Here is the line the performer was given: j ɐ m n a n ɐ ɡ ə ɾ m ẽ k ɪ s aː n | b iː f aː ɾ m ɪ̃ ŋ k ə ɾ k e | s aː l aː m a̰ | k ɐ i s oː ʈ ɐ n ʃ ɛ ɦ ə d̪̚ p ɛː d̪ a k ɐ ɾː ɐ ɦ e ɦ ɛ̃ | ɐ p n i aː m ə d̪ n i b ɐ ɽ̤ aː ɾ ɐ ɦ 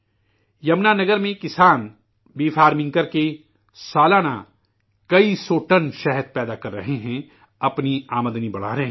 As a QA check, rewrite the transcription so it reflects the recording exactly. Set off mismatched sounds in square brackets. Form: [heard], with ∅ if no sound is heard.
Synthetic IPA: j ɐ m n a n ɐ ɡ ə ɾ m ẽ k ɪ s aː n | b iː f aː ɾ m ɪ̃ ŋ k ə ɾ k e | s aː l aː [n] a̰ | k ɐ i s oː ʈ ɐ n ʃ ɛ ɦ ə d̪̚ p ɛː d̪ a k ɐ ɾː ɐ ɦ e ɦ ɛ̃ | ɐ p n i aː m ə d̪ n i b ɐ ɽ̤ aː ɾ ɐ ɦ